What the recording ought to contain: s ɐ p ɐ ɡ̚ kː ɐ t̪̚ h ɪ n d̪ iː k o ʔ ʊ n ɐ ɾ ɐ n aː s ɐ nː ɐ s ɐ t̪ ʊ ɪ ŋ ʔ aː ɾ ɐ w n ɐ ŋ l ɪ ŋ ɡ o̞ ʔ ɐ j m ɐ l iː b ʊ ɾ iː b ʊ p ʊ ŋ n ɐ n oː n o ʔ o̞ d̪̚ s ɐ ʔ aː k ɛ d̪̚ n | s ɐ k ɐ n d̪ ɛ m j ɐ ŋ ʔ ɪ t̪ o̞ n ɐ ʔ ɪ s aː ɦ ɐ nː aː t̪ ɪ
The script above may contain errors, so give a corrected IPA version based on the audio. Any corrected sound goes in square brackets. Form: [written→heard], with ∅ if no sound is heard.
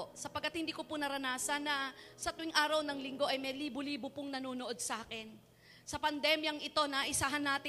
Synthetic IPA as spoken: s ɐ p ɐ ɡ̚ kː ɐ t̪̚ h ɪ n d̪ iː k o [ʔ→p] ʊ n ɐ ɾ ɐ n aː s ɐ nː ɐ s ɐ t̪ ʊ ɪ ŋ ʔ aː ɾ ɐ w n ɐ ŋ l ɪ ŋ ɡ o̞ ʔ ɐ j m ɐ l iː b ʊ [ɾ→l] iː b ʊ p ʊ ŋ n ɐ n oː n o ʔ o̞ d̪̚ s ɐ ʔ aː k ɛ [d̪̚→∅] n | s ɐ [k→p] ɐ n d̪ ɛ m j ɐ ŋ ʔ ɪ t̪ o̞ n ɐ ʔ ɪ s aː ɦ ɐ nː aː t̪ ɪ